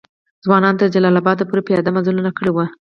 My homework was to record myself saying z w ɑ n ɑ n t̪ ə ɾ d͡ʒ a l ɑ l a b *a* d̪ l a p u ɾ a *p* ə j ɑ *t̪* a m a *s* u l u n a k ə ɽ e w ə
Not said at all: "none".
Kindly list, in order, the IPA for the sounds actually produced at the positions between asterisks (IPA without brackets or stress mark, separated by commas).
ɑ, p, d̪, z